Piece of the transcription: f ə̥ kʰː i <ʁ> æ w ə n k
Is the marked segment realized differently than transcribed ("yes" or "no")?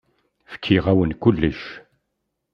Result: no